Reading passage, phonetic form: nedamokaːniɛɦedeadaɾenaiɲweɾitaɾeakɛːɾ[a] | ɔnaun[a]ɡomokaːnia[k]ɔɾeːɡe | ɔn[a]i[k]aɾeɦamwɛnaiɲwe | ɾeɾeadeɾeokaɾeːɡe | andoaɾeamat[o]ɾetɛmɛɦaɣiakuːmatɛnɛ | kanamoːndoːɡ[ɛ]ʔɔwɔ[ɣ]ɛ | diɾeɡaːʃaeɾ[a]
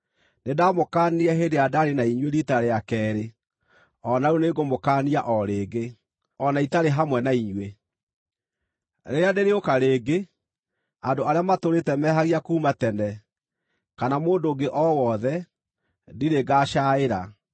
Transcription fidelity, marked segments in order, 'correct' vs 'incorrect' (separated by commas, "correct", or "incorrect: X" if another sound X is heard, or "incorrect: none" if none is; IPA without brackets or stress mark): incorrect: e, incorrect: e, incorrect: ʔ, correct, incorrect: t, correct, incorrect: e, incorrect: ð, correct